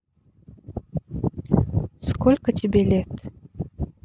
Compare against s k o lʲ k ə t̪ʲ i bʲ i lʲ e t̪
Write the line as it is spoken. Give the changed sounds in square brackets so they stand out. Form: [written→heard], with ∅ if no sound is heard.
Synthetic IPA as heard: s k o lʲ k ə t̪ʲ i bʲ [i→e] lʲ e t̪